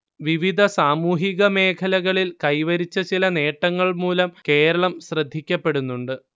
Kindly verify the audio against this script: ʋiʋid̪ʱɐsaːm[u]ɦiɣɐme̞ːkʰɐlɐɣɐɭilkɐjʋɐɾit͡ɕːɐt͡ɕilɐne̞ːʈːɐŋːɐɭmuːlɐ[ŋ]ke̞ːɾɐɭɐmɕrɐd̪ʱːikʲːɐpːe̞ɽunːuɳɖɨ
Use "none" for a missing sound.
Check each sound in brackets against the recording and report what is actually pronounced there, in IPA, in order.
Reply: uː, m

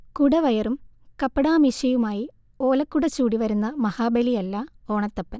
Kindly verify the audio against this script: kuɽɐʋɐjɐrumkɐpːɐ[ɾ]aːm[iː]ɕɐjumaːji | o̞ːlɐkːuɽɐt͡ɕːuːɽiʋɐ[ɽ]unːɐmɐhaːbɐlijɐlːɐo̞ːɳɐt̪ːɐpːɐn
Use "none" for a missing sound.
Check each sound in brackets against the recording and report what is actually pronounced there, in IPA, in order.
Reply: ɽ, i, ɾ

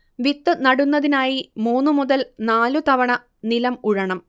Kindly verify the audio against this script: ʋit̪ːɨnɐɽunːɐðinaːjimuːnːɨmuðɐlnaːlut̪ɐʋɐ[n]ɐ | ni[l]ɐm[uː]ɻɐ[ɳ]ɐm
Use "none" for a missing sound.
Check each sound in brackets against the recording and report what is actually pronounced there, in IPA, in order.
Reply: ɳ, l, u, ɳ

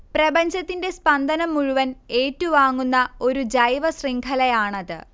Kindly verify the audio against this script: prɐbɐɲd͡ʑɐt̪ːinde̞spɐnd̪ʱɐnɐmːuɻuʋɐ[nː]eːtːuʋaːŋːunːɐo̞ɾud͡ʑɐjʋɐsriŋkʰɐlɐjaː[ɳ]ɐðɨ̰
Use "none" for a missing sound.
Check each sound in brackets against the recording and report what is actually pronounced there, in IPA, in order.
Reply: n, ɳ

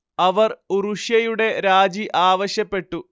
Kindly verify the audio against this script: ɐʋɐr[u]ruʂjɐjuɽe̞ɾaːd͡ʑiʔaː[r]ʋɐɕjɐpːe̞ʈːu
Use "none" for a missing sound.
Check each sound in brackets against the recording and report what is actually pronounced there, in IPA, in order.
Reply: u, none

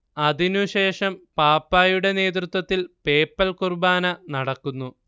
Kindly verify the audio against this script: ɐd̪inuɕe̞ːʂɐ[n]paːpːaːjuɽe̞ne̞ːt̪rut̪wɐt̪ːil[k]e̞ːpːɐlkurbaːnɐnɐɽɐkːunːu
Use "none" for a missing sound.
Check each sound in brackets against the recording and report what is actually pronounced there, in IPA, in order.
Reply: m, p

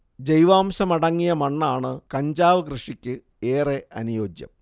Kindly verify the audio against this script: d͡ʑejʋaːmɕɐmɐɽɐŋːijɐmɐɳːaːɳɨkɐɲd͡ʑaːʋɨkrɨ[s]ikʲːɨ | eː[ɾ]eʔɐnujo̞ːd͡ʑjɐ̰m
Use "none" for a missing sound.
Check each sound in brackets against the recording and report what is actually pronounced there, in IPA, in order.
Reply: ʂ, r

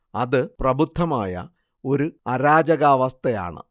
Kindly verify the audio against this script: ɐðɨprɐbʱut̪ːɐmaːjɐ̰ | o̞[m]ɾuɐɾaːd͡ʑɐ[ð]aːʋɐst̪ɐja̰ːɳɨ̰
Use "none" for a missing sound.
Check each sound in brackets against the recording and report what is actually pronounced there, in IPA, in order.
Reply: none, ɣ

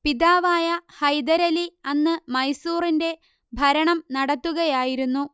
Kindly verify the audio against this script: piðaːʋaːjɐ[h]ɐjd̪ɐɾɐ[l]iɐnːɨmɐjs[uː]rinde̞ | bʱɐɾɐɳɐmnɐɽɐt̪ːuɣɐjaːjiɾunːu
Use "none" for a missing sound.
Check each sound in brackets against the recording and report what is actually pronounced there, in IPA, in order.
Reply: h, l, uː

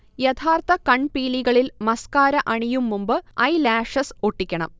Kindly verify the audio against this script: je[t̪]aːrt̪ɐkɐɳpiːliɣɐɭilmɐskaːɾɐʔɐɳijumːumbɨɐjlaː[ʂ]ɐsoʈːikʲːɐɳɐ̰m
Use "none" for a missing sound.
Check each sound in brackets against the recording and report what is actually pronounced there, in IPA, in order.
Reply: t̪ʰ, ʂ

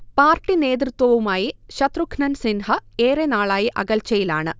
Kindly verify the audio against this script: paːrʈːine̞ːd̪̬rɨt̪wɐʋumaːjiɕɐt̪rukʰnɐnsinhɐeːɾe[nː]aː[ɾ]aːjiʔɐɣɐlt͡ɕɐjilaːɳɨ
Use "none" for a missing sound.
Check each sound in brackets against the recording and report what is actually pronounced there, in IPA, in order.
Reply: n, ɭ

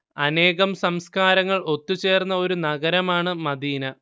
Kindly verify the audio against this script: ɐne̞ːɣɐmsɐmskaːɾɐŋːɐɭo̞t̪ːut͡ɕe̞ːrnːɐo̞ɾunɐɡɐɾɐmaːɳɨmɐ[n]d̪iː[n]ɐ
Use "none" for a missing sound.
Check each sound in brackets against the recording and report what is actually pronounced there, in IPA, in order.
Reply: none, n

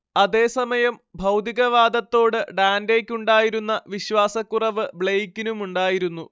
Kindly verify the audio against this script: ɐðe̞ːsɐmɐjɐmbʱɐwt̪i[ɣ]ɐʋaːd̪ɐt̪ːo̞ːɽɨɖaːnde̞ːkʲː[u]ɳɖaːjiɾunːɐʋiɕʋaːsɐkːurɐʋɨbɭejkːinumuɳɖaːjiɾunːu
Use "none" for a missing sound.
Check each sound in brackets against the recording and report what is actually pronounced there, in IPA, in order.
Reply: ɣ, u

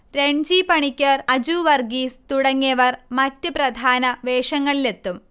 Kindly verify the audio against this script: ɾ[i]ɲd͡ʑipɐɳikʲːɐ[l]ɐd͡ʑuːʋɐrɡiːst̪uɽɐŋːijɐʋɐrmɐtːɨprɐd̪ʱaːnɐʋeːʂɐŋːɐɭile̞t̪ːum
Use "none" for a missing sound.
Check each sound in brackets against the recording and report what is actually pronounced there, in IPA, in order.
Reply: e, r

